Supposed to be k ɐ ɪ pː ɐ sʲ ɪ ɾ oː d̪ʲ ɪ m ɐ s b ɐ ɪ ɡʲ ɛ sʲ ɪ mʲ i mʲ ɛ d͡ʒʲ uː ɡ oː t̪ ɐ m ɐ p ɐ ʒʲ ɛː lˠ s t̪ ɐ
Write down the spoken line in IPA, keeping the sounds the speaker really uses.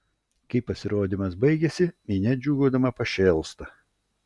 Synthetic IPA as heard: k ɐ ɪ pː ɐ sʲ ɪ ɾ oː d̪ʲ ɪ m ɐ s b ɐ ɪ ɡʲ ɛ sʲ ɪ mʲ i nʲ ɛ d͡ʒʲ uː ɡ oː d̪ ɐ m ɐ p ɐ ʃʲ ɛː lˠ s t̪ ɐ